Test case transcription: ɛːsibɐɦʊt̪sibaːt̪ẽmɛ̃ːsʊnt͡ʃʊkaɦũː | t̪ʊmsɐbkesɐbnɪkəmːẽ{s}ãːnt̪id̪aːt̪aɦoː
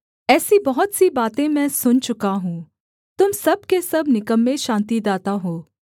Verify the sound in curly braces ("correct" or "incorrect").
incorrect